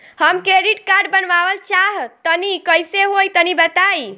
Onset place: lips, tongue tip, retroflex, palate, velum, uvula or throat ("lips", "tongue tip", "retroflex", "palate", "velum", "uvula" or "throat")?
throat